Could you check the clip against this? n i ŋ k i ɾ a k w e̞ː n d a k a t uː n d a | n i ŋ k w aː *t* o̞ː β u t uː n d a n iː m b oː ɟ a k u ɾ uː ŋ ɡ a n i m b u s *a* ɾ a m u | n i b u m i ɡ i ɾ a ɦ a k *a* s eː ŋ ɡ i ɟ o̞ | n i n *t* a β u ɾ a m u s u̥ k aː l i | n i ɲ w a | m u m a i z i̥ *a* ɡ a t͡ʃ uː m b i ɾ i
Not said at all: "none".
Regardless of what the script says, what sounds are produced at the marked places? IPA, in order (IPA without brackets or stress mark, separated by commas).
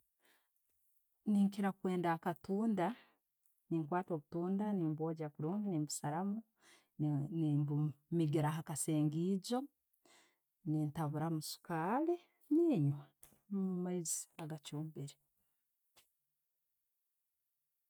t, a, a, t, a